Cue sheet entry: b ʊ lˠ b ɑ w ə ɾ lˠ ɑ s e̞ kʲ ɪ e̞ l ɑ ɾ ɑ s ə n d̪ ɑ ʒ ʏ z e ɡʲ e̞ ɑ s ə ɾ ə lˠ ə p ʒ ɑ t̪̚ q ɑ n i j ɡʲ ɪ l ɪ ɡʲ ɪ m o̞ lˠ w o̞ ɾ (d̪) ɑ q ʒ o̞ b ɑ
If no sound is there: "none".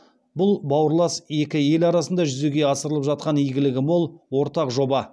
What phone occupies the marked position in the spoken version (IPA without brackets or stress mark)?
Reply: t̪